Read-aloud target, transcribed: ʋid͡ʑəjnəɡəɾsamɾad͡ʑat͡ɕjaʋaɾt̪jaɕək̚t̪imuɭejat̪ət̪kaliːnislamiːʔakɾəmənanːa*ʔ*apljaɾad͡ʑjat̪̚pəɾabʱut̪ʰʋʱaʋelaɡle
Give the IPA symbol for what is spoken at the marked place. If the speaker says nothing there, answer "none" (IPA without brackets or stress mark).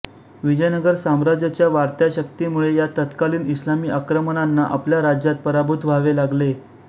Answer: ʔ